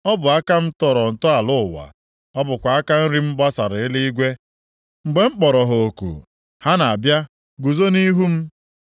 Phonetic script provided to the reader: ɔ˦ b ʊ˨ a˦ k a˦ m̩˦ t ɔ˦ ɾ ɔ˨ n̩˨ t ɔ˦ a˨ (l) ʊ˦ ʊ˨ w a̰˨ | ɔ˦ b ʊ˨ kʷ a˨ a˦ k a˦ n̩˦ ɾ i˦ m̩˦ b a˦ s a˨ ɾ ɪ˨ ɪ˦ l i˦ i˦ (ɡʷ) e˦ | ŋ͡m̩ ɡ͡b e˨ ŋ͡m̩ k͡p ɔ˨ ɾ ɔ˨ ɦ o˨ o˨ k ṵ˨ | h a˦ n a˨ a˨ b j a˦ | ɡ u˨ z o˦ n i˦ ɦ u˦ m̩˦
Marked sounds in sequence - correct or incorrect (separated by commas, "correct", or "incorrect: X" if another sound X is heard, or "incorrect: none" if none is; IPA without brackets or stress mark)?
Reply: correct, correct